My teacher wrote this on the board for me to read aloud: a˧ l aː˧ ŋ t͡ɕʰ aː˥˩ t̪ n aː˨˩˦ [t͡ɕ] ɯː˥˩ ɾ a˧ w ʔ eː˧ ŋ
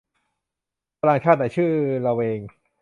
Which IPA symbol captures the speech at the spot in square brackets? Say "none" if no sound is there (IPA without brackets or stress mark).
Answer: t͡ɕʰ